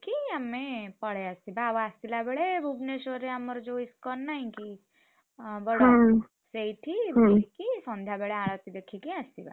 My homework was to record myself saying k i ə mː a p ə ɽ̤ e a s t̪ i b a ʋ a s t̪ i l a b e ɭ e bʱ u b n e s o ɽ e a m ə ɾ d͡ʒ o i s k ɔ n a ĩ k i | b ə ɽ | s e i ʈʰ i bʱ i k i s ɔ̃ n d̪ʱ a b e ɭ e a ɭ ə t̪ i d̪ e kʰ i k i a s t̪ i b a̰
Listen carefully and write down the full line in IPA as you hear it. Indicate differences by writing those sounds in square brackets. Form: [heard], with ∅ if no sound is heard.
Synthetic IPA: k i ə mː [e] p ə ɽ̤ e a s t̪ i b a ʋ a s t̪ i l a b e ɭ e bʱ u b n e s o [ɾ] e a m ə ɾ d͡ʒ o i s k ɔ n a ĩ k i | b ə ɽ | s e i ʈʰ i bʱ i k i s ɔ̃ n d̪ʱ a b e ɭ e a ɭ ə t̪ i d̪ e kʰ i k i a s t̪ i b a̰